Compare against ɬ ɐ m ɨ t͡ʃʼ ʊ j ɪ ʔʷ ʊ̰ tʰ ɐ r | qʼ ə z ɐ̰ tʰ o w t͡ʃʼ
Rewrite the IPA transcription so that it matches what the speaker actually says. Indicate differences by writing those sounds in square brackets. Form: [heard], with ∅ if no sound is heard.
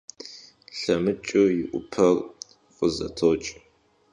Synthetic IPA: ɬ ɐ m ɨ t͡ʃʼ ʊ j ɪ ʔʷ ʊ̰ [pʰ] ɐ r | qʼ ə z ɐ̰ tʰ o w t͡ʃʼ